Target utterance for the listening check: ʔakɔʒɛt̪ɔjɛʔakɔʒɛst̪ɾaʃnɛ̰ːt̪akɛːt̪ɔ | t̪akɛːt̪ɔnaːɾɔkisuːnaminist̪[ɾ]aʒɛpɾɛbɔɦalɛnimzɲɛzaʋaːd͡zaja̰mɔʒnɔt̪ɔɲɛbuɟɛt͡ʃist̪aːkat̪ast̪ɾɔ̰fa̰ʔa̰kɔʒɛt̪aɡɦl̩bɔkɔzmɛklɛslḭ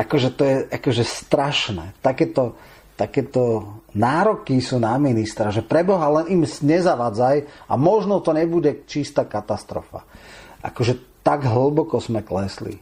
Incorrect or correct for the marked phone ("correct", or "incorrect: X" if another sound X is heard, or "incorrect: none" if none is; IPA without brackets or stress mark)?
correct